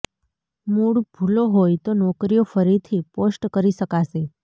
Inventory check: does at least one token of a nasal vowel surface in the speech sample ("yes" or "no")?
no